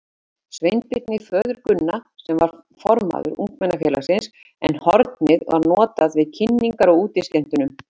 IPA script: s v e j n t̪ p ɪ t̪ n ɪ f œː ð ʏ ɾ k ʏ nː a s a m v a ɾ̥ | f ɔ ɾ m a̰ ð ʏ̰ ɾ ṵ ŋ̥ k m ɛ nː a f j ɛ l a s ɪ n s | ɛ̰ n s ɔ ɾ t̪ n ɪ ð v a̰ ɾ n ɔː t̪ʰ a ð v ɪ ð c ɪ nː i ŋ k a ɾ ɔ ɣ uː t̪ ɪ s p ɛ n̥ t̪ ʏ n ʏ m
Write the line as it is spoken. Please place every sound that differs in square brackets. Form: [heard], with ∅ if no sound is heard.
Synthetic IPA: s v e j n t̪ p ɪ t̪ n ɪ f œː ð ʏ ɾ k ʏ nː a s [ɛ] m v a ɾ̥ | f ɔ ɾ m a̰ ð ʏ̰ ɾ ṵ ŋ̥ k m ɛ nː a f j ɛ l a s ɪ n s | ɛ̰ n [h] ɔ ɾ t̪ n ɪ ð v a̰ ɾ n ɔː [t̪] a ð v ɪ ð [cʰ] ɪ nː i ŋ k a ɾ ɔ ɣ uː t̪ ɪ s [c] ɛ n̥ t̪ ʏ n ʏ m

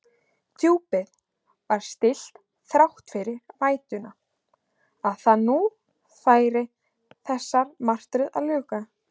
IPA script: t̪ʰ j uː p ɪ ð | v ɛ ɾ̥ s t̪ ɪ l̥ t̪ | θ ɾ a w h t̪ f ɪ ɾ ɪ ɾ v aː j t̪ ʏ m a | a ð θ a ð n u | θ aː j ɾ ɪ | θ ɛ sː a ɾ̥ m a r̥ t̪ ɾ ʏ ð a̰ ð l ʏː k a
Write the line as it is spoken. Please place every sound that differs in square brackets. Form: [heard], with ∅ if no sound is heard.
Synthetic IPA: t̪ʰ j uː p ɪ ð | v [a] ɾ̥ s t̪ ɪ l̥ t̪ | θ ɾ a w h t̪ f ɪ ɾ ɪ ɾ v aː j t̪ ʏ [n] a | a ð θ a ð n u | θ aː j ɾ ɪ | θ ɛ sː a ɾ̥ m a r̥ t̪ ɾ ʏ ð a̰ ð l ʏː k a

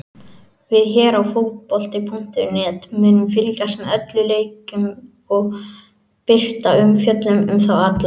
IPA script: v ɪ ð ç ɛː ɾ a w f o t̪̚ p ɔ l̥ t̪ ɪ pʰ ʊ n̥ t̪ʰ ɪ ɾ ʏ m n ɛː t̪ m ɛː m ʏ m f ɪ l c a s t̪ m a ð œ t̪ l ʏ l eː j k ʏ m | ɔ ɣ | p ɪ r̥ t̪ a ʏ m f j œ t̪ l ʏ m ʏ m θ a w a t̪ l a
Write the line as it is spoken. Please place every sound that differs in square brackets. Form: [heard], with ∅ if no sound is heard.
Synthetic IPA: v ɪ ð ç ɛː ɾ a w f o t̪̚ p ɔ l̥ t̪ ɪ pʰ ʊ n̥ [t̪] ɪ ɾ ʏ [∅] n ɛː t̪ m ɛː [n] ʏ m f ɪ l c a s t̪ m [ɛ] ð œ t̪ l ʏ l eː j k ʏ m | ɔ ɣ | p ɪ r̥ t̪ a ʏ m f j œ t̪ l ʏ m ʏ m θ a w a t̪ l a

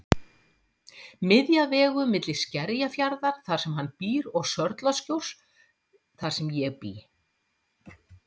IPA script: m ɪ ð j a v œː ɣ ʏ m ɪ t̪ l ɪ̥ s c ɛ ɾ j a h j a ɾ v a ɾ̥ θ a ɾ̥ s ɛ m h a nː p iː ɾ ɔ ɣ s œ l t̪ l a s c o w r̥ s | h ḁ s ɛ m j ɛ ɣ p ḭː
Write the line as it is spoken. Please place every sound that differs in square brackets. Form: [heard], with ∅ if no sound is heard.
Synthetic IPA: m ɪ ð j a v [ɛː] ɣ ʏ m ɪ t̪ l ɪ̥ s c ɛ ɾ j a [f] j a ɾ [ð] a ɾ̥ θ a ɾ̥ s ɛ m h a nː p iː ɾ ɔ ɣ s œ [ɾ] t̪ l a s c o w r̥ s | [θ] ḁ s ɛ m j ɛ ɣ p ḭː

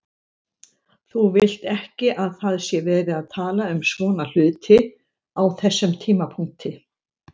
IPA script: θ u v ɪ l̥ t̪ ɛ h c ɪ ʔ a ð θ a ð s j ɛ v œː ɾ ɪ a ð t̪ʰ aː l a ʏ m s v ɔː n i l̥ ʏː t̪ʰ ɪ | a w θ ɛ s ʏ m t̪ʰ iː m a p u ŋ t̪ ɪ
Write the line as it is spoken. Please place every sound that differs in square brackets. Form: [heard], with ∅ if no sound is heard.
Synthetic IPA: θ u v ɪ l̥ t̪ ɛ h c ɪ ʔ a ð θ a ð s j ɛ v [ɛː] ɾ ɪ a ð t̪ʰ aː l a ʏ m s v ɔː n [a] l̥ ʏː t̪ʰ ɪ | a w θ ɛ [sː] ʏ m t̪ʰ iː m a [pʰ] u ŋ t̪ ɪ

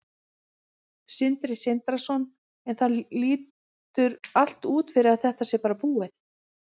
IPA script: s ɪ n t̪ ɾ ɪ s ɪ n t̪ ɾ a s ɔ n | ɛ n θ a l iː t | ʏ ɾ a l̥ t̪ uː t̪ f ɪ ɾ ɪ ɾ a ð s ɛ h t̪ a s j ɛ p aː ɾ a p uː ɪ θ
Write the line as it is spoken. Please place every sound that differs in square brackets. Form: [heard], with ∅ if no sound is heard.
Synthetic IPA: s ɪ n t̪ ɾ ɪ s ɪ n t̪ ɾ a s ɔ n | ɛ n θ a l iː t | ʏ ɾ a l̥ t̪ uː t̪ f ɪ ɾ ɪ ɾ a ð [θ] ɛ h t̪ a s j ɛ p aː ɾ a p uː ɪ θ

